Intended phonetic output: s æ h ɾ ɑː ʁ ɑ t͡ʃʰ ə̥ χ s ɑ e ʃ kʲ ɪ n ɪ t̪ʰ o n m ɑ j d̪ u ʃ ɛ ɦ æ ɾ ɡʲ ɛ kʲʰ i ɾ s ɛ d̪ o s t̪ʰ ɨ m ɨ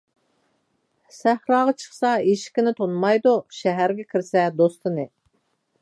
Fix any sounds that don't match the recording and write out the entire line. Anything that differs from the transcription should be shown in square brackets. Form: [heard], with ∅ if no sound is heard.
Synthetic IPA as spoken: s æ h ɾ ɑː ʁ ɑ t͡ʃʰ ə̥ χ s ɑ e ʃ kʲ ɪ n ɪ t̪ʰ o n m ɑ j d̪ u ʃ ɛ ɦ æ ɾ ɡʲ ɛ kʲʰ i ɾ s ɛ d̪ o s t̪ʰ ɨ [n] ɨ